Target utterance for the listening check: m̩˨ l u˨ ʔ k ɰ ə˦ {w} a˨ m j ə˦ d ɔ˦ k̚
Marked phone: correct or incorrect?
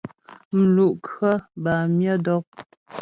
incorrect